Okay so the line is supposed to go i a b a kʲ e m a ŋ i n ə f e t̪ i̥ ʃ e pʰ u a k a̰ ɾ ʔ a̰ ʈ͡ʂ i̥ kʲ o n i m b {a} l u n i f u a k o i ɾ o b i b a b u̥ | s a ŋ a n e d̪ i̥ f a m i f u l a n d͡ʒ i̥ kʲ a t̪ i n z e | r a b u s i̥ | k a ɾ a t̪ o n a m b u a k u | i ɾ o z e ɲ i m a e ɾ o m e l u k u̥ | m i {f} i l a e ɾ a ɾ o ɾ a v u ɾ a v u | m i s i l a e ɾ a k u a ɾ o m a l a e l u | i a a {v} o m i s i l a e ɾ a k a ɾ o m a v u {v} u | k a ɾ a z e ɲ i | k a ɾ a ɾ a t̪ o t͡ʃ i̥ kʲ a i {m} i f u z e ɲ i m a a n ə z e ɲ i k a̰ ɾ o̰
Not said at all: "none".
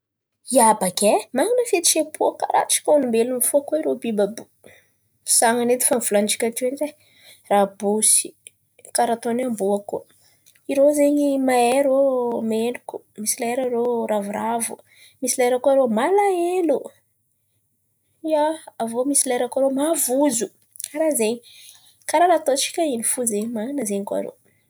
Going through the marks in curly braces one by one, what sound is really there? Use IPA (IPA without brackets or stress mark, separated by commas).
e, s, v, z, n